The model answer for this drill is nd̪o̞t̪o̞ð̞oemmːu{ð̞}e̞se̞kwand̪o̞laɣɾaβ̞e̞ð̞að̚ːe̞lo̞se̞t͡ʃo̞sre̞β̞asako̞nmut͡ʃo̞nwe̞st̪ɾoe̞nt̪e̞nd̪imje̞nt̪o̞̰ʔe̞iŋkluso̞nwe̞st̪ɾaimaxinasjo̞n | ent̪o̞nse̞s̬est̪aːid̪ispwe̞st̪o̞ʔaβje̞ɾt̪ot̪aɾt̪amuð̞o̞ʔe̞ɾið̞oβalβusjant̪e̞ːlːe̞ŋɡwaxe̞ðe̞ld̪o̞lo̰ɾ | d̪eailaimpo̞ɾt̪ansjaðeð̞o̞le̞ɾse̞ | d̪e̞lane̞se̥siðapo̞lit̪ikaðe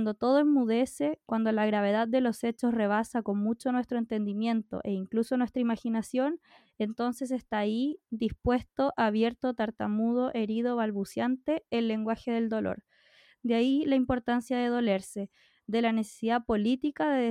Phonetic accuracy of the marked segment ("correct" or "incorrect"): correct